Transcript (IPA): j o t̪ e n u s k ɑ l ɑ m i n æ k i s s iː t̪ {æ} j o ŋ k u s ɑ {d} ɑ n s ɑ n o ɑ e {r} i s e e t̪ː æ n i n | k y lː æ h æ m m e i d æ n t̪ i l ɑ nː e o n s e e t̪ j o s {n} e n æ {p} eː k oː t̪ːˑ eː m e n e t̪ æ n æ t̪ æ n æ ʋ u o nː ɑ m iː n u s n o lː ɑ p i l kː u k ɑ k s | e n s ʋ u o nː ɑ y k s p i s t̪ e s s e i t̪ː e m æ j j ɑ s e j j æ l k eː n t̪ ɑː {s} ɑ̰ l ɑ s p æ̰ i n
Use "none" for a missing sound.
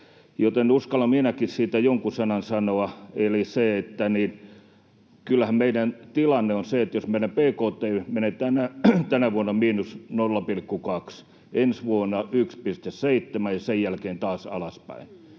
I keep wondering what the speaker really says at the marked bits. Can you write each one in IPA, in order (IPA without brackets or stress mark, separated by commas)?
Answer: æ, n, l, m, p, s